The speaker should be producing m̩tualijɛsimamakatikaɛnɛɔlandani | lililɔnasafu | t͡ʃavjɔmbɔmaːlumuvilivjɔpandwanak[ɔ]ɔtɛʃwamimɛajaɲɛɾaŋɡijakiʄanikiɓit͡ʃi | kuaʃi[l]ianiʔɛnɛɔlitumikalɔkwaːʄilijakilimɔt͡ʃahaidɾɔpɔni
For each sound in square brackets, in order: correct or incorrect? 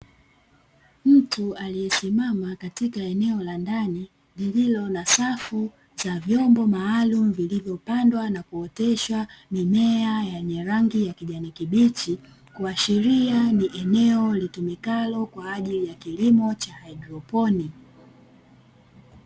incorrect, incorrect

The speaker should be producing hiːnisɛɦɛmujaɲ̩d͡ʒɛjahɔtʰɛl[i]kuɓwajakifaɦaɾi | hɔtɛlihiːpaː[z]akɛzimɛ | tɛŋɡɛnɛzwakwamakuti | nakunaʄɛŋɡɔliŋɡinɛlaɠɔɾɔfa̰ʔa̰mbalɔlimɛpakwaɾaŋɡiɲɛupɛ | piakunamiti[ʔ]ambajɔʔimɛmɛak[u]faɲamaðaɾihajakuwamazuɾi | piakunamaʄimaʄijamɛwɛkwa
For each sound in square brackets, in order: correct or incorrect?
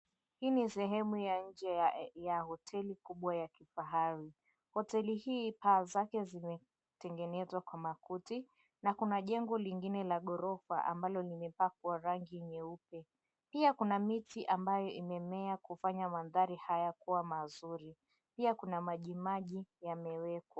correct, correct, correct, correct

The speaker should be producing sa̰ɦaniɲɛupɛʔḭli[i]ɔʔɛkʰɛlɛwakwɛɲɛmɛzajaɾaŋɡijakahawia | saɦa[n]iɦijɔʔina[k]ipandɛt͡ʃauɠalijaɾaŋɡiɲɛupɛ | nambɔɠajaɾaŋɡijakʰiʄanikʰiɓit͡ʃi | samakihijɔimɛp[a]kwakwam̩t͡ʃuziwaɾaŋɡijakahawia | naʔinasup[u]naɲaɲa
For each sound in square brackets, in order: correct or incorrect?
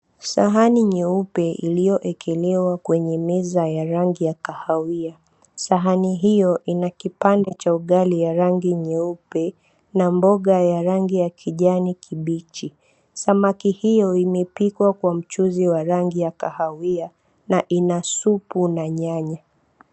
incorrect, correct, correct, incorrect, correct

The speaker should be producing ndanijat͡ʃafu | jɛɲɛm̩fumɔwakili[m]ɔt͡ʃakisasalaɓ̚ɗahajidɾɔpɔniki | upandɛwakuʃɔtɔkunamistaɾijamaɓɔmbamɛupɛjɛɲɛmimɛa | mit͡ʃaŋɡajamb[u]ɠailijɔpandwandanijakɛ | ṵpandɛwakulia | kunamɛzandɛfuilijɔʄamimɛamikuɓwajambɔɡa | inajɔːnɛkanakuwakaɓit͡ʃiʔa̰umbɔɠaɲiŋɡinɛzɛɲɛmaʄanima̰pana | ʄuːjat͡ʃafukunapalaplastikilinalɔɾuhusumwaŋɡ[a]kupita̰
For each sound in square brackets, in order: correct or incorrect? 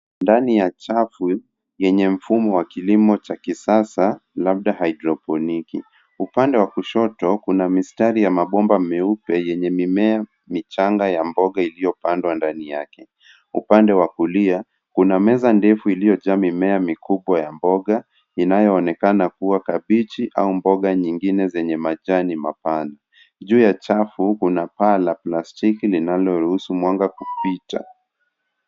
correct, incorrect, correct

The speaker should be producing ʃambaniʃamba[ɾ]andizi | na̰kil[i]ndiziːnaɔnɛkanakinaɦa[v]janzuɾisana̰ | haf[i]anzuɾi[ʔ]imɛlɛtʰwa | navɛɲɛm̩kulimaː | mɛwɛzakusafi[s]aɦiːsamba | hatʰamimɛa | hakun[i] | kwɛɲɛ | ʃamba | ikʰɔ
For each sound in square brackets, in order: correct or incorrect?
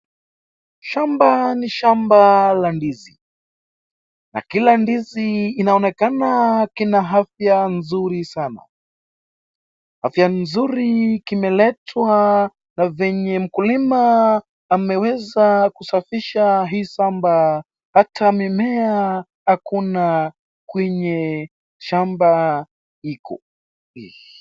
incorrect, incorrect, incorrect, incorrect, incorrect, incorrect, incorrect

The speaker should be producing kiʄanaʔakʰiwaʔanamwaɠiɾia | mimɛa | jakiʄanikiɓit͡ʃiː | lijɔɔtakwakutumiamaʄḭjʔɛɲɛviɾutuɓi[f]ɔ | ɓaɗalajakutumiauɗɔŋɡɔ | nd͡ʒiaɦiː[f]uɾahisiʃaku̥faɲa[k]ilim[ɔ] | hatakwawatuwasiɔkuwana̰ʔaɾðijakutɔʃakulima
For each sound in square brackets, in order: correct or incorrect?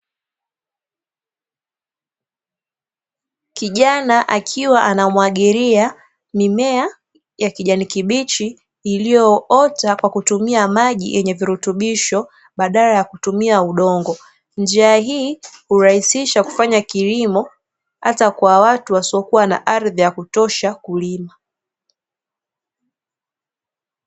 incorrect, incorrect, correct, correct

